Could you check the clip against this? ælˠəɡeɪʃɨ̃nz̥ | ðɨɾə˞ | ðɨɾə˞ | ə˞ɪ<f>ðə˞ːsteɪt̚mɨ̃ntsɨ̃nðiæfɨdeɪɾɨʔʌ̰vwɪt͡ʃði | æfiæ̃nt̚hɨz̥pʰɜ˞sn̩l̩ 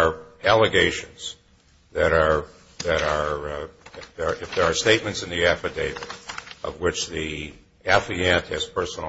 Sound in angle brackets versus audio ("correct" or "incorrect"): correct